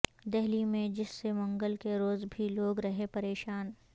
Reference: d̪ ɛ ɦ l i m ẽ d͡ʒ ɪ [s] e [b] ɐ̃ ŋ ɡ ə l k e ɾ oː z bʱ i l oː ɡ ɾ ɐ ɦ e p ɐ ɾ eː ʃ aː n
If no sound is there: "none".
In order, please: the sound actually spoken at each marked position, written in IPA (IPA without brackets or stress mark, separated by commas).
sː, m